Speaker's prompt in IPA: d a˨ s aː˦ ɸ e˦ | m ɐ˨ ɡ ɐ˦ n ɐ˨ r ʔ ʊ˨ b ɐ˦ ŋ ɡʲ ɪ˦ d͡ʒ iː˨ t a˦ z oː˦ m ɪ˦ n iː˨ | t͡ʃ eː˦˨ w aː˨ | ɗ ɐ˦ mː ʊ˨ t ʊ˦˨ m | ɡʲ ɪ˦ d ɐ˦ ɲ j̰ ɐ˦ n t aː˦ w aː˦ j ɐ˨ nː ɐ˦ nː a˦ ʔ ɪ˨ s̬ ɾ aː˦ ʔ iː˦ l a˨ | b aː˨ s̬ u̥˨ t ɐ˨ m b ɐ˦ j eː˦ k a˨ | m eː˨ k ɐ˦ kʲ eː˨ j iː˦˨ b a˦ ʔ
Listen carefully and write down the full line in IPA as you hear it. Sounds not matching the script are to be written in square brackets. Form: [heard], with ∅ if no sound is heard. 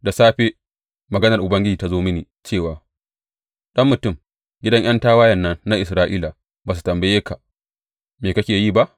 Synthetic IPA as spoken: d a˨ s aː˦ ɸ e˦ | m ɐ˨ ɡ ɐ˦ n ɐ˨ r ʔ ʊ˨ b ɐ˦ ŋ ɡʲ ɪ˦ d͡ʒ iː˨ t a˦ z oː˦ m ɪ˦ n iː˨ | t͡ʃ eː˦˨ w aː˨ | ɗ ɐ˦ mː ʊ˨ t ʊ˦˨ m | ɡʲ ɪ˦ d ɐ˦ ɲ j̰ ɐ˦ n t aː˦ w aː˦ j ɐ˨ nː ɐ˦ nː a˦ ʔ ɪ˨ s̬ ɾ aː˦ ʔ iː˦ l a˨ | b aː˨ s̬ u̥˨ t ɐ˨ m b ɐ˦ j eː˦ k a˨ | m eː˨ k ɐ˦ kʲ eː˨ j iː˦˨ b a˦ ʔ

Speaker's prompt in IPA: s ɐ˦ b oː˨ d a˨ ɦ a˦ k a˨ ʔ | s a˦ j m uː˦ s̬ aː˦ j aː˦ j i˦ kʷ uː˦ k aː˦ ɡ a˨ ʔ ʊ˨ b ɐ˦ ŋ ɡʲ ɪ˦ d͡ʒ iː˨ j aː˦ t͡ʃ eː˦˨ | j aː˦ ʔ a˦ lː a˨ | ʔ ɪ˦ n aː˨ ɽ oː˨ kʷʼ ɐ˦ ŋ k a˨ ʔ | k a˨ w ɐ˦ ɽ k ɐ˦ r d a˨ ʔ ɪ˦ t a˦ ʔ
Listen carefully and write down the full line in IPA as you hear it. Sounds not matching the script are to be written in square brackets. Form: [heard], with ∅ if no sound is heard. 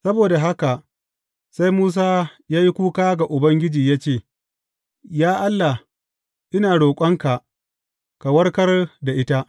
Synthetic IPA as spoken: s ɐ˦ b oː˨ d a˨ ɦ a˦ k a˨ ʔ | s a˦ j m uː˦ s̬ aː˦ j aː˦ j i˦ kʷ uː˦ k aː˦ ɡ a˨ ʔ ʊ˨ b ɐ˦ ŋ ɡʲ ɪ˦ d͡ʒ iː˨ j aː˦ t͡ʃ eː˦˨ | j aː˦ ʔ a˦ lː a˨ | ʔ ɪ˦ n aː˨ ɽ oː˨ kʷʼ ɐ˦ ŋ k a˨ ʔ | k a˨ w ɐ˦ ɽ k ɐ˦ r d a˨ ʔ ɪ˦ t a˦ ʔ

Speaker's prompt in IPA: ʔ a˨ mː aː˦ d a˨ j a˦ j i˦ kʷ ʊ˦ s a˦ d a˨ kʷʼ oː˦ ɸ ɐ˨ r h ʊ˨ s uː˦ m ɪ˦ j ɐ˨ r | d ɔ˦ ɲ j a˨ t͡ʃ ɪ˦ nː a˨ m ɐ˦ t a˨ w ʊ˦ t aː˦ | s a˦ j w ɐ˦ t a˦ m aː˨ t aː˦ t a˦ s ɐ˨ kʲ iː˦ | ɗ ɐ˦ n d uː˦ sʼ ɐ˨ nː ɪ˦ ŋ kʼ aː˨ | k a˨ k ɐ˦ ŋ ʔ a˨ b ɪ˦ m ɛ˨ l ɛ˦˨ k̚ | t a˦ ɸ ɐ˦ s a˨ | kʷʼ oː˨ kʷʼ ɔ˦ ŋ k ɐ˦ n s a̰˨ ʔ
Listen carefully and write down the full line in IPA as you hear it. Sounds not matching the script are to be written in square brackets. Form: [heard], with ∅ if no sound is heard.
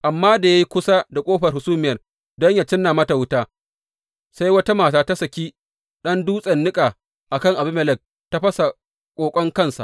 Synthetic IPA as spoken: ʔ a˨ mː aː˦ d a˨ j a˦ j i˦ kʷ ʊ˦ s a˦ d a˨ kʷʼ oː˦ ɸ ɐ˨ r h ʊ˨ s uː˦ m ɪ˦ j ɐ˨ r | d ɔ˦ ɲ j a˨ t͡ʃ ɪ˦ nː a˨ m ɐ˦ t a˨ w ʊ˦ t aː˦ | s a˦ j w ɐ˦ t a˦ m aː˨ t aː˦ t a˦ s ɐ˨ kʲ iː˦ | ɗ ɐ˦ n d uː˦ sʼ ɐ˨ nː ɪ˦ [∅] kʼ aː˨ | [ʔ] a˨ k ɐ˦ ŋ ʔ a˨ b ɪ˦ m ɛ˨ l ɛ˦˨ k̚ | t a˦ ɸ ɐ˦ s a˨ | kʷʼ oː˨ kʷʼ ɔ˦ ŋ k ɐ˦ n s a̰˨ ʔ

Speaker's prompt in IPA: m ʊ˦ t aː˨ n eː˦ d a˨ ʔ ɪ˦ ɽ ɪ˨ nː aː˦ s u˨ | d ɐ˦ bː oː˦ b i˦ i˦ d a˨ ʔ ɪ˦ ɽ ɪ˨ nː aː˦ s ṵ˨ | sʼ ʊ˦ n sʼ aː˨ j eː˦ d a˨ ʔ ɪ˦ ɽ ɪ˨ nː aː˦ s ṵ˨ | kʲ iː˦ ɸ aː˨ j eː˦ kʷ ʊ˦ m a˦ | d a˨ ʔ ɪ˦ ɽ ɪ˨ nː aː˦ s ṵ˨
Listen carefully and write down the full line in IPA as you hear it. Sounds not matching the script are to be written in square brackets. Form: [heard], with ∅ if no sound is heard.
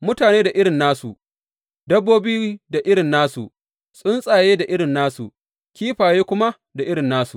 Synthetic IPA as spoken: m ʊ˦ t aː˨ n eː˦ d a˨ ʔ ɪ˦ ɽ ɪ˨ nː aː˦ s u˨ | d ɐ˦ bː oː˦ b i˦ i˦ d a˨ ʔ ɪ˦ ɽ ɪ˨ nː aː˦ s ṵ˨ | sʼ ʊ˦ n sʼ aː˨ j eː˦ d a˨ ʔ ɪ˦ ɽ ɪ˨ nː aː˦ s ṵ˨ | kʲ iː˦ ɸ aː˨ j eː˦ kʷ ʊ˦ m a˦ | d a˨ ʔ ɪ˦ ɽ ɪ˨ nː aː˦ s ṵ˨

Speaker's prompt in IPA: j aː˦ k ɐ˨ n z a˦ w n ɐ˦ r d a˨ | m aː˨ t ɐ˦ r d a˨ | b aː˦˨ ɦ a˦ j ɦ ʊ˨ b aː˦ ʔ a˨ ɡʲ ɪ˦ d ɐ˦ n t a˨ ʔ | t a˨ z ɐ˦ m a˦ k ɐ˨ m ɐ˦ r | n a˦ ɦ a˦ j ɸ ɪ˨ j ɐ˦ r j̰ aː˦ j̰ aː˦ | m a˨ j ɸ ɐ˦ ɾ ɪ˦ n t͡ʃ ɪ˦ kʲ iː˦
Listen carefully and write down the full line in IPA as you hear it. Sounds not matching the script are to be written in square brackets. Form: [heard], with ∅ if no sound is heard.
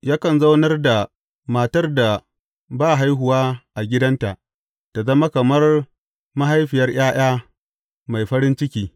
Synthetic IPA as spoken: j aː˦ k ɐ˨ n z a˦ w n ɐ˦ r d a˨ | m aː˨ t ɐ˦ r d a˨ | b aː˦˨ ɦ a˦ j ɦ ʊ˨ [w] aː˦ ʔ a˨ ɡʲ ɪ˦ d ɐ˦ n t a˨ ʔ | t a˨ z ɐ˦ m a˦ k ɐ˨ m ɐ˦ r | [m] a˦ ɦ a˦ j ɸ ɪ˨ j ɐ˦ r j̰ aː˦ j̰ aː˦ | m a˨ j ɸ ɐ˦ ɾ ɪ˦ n t͡ʃ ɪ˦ kʲ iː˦

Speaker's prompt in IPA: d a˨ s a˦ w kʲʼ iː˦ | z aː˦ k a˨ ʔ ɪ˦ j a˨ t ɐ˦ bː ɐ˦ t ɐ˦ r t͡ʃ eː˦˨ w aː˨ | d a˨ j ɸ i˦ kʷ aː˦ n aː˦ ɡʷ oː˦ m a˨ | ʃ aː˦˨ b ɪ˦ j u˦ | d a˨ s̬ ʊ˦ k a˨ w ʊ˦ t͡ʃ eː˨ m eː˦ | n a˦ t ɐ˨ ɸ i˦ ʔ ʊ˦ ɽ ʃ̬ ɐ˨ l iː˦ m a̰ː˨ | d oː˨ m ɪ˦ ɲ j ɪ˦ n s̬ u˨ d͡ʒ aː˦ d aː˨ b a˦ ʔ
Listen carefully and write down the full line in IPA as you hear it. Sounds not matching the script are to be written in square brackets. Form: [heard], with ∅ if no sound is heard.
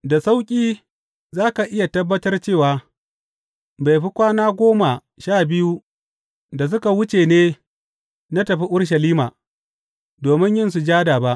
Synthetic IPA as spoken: d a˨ s a˦ w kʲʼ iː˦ | z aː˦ k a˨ ʔ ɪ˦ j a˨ t ɐ˦ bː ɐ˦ t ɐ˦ r t͡ʃ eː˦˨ w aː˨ | [b] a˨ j ɸ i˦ kʷ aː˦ n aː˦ ɡʷ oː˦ m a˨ | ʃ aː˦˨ b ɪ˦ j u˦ | d a˨ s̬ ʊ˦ k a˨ w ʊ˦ t͡ʃ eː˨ [n] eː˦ | n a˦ t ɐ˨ ɸ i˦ ʔ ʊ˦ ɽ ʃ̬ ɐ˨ l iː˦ m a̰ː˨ | d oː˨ m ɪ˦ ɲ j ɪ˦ n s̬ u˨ d͡ʒ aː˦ d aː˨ b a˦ ʔ

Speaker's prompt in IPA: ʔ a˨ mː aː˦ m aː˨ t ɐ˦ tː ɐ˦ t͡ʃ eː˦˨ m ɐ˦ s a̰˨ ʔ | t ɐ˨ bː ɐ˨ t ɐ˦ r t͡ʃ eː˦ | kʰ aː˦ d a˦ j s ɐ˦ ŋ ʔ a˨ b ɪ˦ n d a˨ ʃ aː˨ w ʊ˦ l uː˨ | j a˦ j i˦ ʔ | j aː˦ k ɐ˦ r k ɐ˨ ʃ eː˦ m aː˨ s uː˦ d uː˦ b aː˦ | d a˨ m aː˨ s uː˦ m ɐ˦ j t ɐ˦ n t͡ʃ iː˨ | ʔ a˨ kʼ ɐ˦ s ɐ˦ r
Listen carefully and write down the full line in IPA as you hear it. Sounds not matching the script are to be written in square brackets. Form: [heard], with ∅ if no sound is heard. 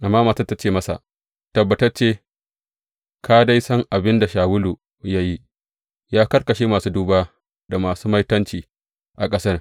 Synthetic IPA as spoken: ʔ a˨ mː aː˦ m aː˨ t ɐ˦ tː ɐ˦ t͡ʃ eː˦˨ m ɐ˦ s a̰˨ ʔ | t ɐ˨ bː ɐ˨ t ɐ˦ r t͡ʃ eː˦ | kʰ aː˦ d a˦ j s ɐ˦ ŋ ʔ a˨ b ɪ˦ n d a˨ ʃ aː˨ w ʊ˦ l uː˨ | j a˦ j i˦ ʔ | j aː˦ k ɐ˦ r k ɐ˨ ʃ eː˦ m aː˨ s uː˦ d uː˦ b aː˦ | d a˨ m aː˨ s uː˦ m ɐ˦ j t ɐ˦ n t͡ʃ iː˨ | ʔ a˨ kʼ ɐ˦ s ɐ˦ r

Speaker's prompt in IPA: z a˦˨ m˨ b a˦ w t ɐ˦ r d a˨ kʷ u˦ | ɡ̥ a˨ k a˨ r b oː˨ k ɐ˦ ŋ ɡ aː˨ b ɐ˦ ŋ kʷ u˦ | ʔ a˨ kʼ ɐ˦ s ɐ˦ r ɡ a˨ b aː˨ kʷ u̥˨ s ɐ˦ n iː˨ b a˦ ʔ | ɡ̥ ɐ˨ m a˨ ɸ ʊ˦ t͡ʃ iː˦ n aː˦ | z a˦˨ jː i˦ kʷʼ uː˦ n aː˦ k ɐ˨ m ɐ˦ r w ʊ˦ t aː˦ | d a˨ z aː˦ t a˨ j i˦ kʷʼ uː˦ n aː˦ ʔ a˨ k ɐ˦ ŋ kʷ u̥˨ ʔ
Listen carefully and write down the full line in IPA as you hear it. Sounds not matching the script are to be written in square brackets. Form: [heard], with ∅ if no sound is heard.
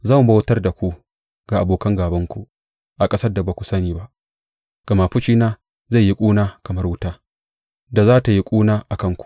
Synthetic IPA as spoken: z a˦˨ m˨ b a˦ w t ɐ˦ r d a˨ kʷ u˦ | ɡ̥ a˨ [ʔ] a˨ [∅] b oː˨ k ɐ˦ ŋ ɡ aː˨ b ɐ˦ ŋ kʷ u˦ | ʔ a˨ kʼ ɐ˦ s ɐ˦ r [d] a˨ b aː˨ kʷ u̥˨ s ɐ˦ n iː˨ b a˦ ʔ | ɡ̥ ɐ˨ m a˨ ɸ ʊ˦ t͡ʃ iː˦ n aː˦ | z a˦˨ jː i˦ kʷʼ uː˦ n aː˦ k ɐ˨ m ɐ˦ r w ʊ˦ t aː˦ | d a˨ z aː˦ t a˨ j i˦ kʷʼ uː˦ n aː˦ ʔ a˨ k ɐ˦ ŋ kʷ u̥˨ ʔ

